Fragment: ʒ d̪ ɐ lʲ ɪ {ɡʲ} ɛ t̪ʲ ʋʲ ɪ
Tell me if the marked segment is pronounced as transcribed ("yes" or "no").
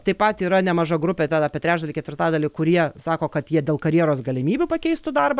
no